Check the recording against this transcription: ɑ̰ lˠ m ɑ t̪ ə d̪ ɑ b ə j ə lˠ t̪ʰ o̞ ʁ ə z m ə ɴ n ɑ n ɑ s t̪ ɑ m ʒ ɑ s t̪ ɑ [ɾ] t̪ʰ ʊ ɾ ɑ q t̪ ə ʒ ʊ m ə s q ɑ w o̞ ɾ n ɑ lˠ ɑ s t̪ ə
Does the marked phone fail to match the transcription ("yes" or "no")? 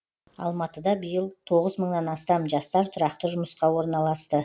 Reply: no